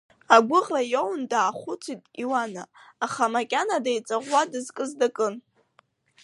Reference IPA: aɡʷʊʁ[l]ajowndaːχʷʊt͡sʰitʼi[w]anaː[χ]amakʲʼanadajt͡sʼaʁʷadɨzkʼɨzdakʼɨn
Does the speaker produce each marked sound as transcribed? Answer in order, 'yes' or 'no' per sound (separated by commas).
no, yes, yes